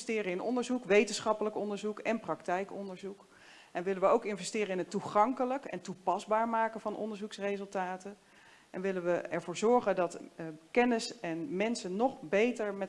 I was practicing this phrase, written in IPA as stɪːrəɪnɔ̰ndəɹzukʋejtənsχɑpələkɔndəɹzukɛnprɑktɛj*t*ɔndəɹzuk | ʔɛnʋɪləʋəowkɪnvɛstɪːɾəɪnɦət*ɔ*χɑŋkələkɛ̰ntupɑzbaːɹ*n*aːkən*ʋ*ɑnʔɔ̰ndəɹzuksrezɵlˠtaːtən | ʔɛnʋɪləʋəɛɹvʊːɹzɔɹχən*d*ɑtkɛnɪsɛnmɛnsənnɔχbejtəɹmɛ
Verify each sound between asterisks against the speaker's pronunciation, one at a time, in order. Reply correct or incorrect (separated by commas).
incorrect, incorrect, incorrect, incorrect, correct